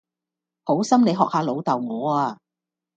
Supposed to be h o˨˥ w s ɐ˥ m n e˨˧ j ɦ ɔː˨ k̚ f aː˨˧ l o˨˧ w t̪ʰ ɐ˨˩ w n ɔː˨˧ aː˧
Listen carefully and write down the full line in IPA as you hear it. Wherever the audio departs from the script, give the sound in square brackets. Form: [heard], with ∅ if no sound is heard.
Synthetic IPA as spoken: h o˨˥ w s ɐ˥ m n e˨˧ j ɦ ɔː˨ k̚ [h] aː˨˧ l o˨˧ w [t̪] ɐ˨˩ w [ŋ] ɔː˨˧ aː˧